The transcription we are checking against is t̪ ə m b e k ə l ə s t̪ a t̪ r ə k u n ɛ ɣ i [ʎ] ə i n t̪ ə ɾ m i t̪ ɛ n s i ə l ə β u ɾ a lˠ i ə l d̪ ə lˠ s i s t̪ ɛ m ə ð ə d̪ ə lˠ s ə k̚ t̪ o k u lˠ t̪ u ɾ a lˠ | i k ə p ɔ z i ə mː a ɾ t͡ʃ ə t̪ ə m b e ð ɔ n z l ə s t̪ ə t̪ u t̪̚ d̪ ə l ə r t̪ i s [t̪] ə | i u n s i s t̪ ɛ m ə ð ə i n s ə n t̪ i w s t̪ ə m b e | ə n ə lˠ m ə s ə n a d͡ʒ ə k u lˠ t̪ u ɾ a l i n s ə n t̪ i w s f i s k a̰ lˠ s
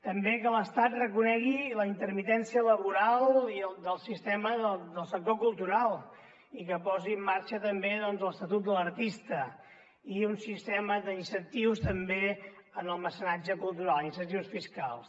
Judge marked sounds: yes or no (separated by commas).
no, yes